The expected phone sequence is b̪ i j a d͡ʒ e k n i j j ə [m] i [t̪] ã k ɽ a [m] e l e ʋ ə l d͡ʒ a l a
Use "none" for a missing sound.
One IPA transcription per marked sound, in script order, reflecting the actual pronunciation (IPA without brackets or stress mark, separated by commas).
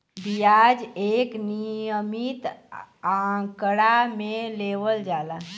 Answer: m, t̪, m